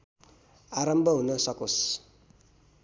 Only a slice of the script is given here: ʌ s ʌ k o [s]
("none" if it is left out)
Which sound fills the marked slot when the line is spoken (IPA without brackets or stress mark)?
s